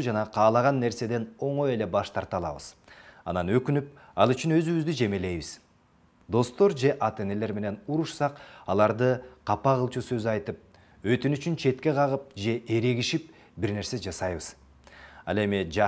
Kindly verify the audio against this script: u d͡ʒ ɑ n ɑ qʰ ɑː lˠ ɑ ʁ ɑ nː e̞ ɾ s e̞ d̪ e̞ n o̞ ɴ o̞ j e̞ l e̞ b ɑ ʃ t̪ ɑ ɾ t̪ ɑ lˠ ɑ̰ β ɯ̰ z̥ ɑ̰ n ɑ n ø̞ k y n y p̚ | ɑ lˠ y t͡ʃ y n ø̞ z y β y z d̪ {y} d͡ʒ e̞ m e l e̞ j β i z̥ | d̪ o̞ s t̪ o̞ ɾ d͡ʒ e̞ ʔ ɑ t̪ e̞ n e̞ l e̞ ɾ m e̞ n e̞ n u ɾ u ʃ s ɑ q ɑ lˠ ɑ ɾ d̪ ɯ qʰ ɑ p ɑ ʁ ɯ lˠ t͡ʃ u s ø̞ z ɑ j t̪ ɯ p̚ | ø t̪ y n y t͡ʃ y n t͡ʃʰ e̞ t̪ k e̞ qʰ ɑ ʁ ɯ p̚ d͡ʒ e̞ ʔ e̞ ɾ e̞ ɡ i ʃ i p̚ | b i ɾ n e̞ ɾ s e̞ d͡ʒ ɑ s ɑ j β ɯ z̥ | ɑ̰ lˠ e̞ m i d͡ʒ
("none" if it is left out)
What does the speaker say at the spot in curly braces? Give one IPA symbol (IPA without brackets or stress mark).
y